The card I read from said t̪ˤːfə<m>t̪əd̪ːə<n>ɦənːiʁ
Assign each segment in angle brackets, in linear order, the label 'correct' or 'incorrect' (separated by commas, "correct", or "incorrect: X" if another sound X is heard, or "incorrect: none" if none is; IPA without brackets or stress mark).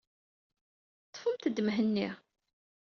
correct, incorrect: m